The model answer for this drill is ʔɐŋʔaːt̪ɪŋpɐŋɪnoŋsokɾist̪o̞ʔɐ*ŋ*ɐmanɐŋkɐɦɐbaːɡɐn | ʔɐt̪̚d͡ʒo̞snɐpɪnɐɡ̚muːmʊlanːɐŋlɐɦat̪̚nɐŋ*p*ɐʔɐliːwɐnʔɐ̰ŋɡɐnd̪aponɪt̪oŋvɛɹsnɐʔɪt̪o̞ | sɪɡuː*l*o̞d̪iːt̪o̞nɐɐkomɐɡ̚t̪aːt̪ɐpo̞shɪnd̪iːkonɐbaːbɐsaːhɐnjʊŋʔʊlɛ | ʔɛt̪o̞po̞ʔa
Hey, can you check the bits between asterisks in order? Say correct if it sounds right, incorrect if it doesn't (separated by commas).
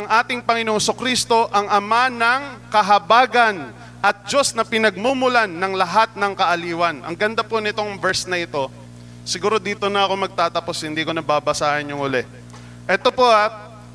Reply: correct, incorrect, incorrect